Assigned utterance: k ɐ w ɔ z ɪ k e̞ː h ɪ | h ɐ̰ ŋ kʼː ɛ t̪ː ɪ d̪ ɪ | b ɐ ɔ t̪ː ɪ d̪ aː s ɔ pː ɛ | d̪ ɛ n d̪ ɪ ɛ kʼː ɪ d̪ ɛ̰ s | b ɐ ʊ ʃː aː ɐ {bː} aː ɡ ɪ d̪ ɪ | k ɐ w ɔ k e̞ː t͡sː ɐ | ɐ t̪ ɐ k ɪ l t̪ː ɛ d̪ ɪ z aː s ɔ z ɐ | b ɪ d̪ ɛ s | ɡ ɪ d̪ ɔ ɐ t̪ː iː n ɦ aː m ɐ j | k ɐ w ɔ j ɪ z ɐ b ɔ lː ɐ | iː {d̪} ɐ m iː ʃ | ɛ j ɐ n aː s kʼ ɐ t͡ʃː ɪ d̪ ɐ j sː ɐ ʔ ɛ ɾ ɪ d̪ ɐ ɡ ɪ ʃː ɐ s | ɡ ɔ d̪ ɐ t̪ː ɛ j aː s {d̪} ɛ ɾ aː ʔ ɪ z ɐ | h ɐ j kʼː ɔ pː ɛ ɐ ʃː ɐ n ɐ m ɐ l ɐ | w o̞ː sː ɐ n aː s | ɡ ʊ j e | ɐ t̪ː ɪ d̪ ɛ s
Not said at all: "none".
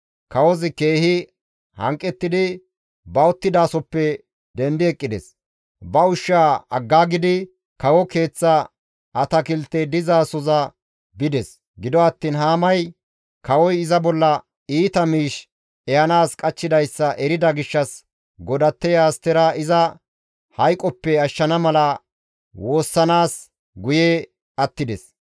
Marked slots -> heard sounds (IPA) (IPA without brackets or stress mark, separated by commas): ɡː, t̪, t̪